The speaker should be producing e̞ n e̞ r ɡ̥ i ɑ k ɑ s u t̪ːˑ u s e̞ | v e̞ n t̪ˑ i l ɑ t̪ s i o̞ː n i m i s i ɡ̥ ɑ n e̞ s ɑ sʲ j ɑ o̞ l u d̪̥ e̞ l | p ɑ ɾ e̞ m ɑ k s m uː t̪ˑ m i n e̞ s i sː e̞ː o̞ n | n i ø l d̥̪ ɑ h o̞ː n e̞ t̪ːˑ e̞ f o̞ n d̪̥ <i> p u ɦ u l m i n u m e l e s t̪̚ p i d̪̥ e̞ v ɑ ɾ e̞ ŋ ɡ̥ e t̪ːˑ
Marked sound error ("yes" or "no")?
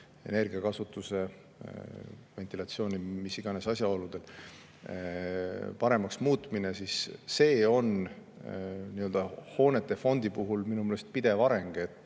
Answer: no